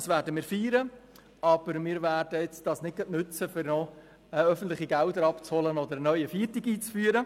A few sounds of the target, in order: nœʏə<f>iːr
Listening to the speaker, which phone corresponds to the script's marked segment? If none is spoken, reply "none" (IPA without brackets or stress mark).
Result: f